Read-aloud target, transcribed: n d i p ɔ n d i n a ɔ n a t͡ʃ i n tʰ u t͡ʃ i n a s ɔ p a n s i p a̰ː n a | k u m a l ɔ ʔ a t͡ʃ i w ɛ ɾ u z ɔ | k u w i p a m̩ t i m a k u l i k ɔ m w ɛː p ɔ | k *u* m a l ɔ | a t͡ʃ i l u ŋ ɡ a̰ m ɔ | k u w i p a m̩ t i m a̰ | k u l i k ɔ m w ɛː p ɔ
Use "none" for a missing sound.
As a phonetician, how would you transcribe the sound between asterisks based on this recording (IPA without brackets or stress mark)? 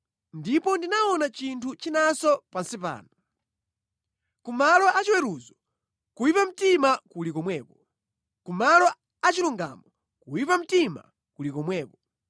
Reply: u